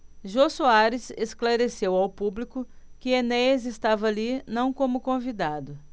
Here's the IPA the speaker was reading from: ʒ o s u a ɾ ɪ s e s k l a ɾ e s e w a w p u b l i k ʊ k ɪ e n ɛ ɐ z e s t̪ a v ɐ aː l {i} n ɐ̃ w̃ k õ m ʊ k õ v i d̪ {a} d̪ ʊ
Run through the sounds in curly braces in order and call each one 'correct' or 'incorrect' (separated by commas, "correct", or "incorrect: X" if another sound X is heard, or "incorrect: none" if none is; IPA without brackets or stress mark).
correct, correct